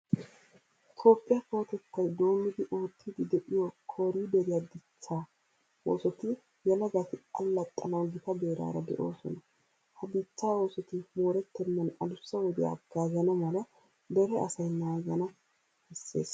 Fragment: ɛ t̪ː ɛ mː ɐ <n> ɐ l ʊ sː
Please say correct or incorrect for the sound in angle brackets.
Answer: correct